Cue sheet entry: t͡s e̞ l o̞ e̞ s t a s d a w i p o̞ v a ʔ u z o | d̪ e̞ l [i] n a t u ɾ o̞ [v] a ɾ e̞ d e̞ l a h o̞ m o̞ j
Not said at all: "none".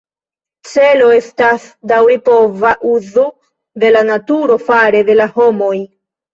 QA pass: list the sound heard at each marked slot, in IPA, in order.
a, f

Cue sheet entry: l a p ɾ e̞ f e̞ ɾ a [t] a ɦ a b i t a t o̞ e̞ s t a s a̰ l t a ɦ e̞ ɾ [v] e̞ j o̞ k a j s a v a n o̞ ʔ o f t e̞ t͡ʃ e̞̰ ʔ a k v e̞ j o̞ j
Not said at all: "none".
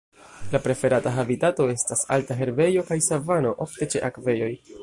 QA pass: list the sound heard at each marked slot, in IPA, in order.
t, b

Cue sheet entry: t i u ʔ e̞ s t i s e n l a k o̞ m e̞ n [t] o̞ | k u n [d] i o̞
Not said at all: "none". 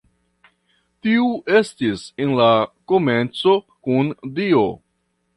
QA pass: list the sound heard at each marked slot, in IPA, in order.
t͡s, d

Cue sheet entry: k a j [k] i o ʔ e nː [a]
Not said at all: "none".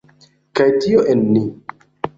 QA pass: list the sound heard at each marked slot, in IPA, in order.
t, i

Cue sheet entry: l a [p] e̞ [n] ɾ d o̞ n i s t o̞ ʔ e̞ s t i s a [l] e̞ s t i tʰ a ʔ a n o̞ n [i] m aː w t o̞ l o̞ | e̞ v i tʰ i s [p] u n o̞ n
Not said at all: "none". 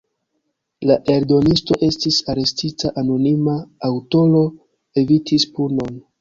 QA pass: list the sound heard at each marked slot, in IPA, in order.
ʔ, none, ɾ, i, p

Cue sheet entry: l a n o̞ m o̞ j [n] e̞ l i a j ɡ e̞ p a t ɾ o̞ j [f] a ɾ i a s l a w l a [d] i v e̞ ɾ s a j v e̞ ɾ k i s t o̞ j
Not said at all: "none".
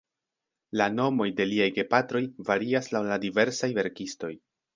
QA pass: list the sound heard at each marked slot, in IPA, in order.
d, v, d

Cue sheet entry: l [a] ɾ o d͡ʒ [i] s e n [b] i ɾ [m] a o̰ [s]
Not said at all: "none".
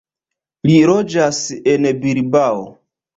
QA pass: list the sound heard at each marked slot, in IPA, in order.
i, a, b, b, none

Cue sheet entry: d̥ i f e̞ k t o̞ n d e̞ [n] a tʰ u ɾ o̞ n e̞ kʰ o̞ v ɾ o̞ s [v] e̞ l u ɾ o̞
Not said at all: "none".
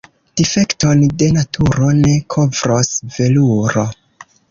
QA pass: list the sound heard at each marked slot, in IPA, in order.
n, v

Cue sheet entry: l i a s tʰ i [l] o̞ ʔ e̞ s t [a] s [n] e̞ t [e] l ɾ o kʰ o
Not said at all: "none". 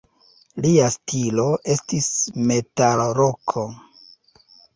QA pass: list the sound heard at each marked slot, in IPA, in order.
l, i, m, a

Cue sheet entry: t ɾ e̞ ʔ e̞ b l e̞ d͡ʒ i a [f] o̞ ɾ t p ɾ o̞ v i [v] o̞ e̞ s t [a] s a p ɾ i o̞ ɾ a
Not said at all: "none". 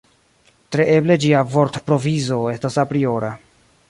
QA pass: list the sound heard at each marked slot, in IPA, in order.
v, z, a

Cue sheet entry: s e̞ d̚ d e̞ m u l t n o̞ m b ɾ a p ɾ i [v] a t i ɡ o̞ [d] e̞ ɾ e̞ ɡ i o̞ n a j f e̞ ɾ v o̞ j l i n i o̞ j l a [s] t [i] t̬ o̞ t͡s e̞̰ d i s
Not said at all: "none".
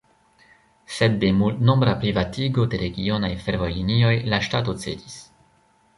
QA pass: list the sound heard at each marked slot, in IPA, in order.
v, d, ʃ, a

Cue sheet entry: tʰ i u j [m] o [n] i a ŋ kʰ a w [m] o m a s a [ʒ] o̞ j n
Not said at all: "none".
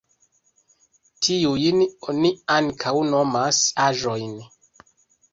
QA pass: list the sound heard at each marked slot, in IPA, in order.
n, n, n, ʒ

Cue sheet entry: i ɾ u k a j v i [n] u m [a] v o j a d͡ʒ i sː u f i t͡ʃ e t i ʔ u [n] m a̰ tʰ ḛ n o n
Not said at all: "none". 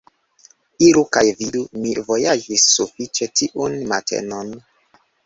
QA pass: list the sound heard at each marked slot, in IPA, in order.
d, i, n

